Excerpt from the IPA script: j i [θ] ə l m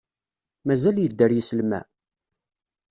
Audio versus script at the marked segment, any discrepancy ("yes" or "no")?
yes